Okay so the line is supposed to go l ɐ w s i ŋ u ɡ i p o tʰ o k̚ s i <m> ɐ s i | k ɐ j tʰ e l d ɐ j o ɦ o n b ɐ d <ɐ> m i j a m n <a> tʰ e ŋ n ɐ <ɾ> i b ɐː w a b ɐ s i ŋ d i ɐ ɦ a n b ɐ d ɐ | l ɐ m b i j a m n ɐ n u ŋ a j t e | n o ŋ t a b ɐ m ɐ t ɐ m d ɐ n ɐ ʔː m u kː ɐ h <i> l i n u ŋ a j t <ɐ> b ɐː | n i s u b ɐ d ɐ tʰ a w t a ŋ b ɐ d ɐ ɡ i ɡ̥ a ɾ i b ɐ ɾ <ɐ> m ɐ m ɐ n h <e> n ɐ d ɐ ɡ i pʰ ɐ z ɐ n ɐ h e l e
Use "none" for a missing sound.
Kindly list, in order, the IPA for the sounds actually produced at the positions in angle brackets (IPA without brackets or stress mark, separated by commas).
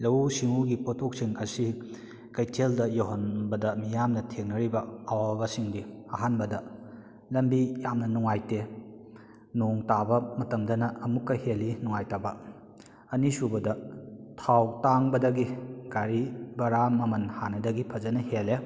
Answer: ŋ, ɐ, ɐ, ɾ, e, a, a, a